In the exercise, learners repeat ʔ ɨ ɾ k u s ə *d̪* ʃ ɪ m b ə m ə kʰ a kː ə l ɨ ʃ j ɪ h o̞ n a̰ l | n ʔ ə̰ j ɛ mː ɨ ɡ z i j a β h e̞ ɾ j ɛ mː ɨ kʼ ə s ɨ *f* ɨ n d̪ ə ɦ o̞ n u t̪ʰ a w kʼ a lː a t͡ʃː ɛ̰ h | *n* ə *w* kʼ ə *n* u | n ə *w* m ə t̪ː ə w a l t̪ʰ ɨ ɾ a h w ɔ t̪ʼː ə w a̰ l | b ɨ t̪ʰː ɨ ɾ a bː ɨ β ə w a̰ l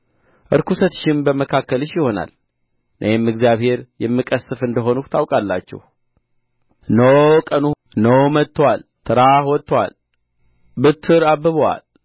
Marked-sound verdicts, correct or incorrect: incorrect: t̪, correct, correct, correct, correct, correct

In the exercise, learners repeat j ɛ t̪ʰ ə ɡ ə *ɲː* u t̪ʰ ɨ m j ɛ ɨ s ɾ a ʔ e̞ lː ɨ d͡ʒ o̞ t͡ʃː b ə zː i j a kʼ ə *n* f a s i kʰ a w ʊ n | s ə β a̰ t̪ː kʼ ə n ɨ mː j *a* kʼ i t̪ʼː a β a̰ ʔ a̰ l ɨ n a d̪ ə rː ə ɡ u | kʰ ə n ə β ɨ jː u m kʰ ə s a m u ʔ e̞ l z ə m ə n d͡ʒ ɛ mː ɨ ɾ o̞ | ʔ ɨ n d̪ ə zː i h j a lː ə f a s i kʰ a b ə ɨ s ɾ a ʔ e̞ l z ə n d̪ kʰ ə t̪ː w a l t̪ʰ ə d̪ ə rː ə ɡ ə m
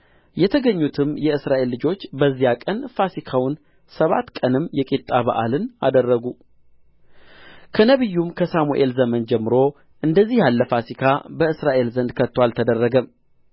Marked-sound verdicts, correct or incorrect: correct, correct, incorrect: ɛ

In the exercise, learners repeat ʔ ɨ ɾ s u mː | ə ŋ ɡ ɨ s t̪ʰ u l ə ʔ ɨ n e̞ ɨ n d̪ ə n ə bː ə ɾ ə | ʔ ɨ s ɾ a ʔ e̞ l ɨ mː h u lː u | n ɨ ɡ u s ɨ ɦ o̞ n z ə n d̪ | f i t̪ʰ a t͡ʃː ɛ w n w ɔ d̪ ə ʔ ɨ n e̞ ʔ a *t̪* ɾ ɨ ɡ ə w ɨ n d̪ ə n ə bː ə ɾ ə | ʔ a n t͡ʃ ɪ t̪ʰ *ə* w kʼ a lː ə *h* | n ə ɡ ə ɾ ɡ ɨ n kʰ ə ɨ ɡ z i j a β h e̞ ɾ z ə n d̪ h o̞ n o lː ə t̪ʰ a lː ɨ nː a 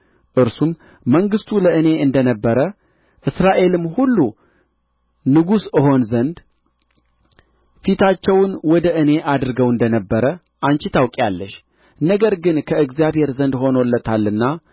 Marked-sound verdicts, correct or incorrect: incorrect: d̪, incorrect: a, incorrect: ʃ

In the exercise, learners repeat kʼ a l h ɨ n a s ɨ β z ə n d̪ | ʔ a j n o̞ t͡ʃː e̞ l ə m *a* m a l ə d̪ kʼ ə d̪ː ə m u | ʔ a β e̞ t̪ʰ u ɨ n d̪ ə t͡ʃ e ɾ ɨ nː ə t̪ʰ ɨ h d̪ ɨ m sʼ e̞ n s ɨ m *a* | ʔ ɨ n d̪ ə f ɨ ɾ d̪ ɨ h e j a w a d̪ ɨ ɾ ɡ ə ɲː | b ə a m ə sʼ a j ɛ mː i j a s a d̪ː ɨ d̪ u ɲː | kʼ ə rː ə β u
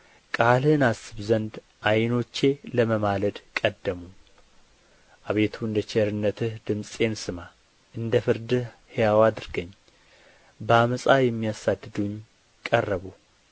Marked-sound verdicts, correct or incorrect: incorrect: ə, correct

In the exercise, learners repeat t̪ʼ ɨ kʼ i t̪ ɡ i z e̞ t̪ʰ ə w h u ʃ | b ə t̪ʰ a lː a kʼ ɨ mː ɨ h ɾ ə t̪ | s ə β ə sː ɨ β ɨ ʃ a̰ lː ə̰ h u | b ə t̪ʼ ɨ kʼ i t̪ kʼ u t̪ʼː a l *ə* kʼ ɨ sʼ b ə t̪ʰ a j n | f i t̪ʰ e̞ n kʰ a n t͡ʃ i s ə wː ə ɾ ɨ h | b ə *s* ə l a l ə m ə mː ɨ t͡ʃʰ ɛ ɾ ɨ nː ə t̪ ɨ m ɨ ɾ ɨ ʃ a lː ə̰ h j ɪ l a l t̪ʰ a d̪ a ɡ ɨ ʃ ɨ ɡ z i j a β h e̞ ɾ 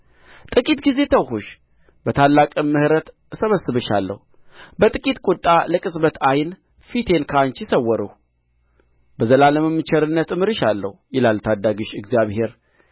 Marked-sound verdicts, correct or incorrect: correct, incorrect: z

